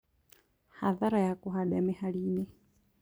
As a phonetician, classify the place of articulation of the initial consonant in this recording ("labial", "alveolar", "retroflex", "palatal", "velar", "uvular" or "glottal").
glottal